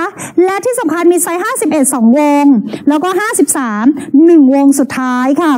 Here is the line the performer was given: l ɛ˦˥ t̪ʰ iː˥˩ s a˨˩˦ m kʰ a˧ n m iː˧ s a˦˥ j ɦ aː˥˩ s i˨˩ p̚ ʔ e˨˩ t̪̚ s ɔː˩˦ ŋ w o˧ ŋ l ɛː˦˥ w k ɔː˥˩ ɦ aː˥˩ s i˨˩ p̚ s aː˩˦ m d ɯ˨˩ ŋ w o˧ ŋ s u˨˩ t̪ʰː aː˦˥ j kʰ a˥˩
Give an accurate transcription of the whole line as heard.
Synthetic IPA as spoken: l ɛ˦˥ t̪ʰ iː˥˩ s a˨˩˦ m kʰ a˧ n m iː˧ s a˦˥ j ɦ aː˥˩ s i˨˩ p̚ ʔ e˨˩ t̪̚ s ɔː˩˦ ŋ w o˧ ŋ l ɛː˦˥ w k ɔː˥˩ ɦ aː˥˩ s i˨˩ p̚ s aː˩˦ m n ɯ˨˩ ŋ w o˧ ŋ s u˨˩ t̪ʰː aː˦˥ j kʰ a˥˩